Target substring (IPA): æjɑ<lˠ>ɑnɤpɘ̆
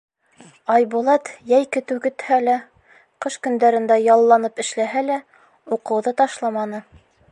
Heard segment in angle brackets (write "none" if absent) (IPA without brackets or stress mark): lˠː